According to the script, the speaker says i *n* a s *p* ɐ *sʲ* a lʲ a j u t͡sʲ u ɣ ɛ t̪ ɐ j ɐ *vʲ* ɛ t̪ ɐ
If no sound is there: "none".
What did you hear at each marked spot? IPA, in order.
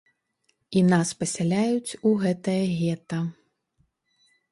n, p, sʲ, ɣʲ

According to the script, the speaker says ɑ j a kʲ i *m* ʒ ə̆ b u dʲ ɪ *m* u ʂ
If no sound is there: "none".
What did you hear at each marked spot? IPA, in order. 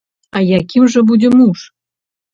m, m

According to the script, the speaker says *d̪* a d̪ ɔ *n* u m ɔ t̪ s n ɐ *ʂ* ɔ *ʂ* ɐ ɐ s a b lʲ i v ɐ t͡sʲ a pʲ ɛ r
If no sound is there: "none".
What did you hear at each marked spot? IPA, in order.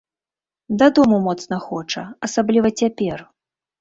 d̪, m, x, t͡ʂ

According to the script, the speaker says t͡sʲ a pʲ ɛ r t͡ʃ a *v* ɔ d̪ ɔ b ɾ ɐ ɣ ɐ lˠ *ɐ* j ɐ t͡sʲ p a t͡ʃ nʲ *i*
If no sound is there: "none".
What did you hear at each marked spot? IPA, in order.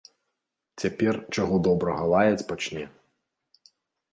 ɣ, a, ɛ

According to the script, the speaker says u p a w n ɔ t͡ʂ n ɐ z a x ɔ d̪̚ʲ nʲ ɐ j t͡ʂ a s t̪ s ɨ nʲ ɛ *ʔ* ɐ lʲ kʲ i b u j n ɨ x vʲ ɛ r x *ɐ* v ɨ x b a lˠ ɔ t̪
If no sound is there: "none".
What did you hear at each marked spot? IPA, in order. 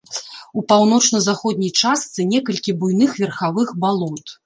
k, a

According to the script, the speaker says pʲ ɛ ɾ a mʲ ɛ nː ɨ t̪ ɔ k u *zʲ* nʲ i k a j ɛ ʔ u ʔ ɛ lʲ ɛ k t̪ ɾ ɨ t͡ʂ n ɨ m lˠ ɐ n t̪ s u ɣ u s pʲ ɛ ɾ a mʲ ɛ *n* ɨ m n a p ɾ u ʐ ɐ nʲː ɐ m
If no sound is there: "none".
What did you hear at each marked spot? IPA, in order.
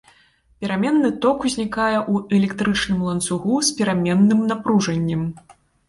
zʲ, nː

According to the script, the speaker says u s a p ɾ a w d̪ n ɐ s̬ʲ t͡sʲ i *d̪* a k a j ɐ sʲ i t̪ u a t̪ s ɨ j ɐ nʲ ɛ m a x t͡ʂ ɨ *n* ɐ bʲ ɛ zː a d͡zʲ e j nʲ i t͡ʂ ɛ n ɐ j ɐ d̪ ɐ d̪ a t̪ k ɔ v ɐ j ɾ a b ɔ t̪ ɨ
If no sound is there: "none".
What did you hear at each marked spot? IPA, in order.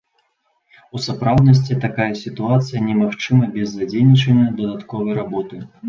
t̪, m

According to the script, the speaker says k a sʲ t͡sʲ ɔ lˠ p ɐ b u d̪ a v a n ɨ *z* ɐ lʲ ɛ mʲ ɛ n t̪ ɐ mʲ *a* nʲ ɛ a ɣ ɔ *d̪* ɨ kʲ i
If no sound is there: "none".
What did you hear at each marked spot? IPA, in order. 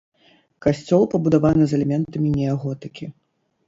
z, i, t̪

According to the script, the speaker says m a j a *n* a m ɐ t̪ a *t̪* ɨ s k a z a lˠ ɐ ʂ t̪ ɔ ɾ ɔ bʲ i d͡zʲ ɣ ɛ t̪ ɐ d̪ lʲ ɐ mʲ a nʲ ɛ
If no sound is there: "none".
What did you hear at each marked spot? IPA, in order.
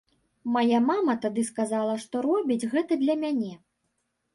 m, d̪

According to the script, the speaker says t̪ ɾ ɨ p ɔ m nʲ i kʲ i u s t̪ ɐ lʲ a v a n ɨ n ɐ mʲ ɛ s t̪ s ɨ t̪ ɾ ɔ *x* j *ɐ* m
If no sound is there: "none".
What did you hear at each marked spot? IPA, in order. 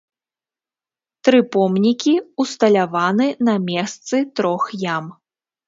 x, a

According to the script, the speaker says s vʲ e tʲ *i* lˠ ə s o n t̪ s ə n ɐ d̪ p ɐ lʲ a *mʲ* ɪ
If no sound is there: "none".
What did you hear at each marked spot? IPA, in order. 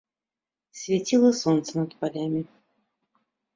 i, mʲ

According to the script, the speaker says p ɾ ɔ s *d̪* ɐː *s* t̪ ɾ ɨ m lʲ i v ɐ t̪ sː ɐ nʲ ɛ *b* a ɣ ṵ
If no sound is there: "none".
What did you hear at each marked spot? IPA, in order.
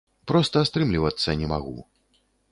t̪, s, m

